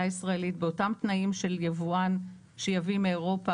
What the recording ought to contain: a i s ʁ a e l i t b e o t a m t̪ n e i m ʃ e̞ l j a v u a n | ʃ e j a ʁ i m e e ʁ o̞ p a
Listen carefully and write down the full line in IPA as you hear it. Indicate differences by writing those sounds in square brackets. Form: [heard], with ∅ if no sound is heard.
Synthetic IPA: a i s ʁ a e l i t b e o t a m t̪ n [a] i m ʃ e̞ l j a v u a n | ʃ e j a [v] i m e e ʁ o̞ p a